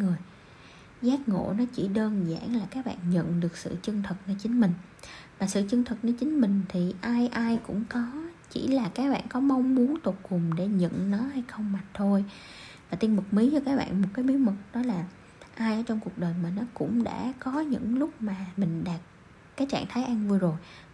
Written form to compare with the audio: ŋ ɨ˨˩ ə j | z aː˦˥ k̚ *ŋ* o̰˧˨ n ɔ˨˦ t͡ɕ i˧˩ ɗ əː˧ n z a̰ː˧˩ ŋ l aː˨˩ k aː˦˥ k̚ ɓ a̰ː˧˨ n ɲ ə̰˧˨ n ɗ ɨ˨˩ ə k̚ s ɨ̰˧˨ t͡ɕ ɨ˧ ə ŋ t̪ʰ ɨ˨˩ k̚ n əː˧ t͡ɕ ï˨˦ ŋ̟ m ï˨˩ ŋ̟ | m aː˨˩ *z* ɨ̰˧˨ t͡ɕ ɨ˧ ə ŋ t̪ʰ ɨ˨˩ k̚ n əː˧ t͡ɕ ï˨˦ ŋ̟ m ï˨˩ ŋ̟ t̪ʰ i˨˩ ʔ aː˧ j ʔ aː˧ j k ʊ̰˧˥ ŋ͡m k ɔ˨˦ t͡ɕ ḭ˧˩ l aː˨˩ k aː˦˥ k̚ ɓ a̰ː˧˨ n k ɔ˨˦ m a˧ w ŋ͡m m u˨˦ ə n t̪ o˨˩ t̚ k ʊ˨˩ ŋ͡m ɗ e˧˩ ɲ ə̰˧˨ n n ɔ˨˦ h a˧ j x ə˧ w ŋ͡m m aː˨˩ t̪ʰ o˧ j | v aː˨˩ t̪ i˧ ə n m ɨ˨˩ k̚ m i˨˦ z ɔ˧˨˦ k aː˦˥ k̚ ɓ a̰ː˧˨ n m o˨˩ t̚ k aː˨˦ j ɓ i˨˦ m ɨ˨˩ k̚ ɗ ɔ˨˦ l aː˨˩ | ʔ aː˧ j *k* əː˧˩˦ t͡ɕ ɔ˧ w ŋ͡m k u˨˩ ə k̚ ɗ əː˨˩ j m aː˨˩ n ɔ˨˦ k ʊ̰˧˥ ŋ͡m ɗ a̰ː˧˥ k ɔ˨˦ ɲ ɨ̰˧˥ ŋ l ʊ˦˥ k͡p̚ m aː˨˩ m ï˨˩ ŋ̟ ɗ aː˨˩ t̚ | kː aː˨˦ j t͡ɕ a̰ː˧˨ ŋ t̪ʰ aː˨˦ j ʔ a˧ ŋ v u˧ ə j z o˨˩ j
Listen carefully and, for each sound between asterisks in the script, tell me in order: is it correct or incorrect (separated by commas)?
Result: correct, incorrect, incorrect